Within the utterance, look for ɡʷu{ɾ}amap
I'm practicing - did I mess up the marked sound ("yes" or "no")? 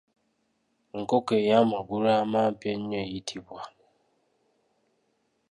no